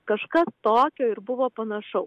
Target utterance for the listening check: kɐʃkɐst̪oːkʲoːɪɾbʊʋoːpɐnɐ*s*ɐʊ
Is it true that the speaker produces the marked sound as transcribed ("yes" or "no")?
no